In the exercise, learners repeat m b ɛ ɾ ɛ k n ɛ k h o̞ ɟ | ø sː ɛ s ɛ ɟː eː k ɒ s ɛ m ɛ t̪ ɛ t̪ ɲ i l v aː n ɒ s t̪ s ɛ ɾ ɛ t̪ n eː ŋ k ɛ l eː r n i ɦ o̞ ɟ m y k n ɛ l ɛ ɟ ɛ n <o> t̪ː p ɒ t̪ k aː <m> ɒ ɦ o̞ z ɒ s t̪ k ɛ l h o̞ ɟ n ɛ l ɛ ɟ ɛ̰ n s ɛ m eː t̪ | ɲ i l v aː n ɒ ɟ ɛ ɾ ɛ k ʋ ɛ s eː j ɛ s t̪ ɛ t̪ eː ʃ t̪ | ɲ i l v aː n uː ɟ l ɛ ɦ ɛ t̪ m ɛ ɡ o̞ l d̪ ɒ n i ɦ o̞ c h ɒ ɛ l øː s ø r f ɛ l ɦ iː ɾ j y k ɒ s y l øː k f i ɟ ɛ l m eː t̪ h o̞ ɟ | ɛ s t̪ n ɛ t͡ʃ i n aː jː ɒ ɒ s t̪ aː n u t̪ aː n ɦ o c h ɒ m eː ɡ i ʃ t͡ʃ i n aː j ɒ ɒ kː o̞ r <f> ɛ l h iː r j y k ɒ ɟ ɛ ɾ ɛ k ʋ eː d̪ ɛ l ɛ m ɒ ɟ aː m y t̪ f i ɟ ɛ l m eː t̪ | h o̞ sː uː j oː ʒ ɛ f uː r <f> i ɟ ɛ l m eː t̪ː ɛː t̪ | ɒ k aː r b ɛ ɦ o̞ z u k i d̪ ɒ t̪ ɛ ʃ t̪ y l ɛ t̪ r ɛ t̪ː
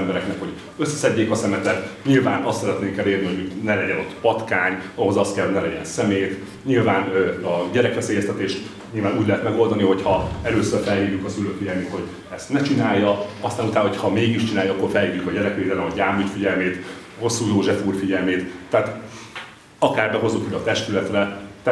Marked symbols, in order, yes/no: yes, no, yes, yes

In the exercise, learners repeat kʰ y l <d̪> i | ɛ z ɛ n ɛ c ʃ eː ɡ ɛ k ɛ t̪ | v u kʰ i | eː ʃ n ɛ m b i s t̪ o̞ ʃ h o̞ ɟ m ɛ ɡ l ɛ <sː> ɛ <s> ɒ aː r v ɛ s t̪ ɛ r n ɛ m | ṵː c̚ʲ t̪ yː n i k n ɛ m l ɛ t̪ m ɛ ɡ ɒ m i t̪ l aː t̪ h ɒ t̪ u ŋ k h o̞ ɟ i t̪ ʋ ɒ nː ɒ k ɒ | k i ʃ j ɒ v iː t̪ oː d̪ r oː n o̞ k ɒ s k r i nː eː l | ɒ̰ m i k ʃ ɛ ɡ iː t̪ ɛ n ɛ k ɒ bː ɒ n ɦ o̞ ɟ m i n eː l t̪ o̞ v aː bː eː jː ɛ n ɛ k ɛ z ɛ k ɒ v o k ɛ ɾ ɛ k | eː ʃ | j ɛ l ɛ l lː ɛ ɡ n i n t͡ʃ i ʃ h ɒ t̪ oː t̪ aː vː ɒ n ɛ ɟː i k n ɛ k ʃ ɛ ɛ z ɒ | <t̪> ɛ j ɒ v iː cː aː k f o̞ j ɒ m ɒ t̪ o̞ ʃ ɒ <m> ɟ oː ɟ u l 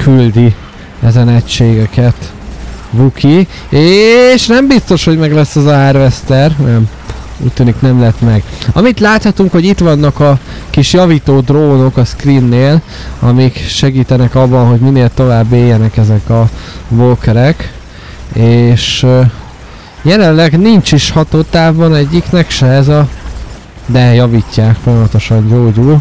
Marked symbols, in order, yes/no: yes, yes, no, no, no

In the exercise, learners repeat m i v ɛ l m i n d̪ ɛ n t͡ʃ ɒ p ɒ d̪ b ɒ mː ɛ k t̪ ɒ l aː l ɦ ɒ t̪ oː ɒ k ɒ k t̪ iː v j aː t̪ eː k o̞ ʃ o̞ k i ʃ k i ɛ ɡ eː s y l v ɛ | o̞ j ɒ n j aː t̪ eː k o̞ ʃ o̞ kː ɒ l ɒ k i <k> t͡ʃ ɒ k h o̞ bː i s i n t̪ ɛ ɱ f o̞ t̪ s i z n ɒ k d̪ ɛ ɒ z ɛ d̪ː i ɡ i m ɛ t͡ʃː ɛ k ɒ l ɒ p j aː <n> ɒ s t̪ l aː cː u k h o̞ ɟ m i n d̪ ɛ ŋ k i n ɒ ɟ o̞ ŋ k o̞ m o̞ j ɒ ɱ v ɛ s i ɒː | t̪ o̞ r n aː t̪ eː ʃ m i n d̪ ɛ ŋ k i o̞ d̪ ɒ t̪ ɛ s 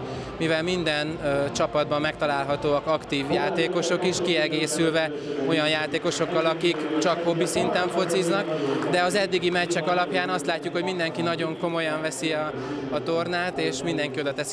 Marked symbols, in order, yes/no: yes, yes

